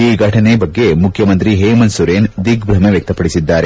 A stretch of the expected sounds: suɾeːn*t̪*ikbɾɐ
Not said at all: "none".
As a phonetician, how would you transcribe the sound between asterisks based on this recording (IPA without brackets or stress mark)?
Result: d̪